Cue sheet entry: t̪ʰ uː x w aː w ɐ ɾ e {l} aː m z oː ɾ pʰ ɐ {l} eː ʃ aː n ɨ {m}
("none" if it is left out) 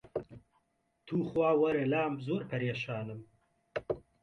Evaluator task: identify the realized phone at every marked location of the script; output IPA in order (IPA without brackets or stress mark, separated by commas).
l, ɾ, m